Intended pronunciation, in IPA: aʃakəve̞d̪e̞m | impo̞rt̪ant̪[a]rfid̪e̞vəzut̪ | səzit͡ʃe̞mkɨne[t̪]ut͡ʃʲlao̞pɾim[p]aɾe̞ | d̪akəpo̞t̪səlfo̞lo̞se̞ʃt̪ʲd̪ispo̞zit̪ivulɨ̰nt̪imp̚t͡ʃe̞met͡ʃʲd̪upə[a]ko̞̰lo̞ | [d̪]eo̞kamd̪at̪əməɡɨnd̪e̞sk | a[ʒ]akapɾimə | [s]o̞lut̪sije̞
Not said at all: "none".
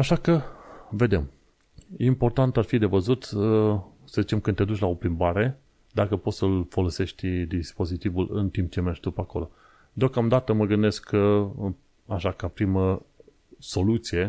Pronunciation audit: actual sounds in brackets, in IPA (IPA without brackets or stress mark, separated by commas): a, d̪, b, a, d̪, ʃ, s